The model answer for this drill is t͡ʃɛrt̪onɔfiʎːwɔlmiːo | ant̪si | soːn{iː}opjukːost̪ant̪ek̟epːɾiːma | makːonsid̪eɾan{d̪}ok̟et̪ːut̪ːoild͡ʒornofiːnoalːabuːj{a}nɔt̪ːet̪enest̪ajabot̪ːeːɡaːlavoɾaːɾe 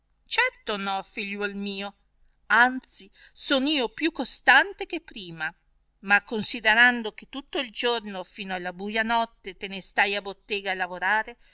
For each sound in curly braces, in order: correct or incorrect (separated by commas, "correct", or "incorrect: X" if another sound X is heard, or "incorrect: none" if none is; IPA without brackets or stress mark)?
correct, correct, correct